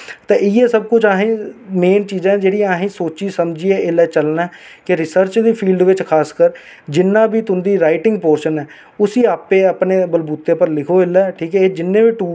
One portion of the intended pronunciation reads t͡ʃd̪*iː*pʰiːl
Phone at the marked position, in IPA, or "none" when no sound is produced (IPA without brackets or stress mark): iː